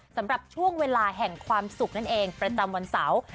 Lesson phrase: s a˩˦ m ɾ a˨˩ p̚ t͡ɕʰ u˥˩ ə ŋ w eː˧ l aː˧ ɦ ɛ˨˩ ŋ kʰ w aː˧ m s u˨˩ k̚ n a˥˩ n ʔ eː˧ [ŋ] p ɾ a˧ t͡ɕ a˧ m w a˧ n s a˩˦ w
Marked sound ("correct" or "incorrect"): correct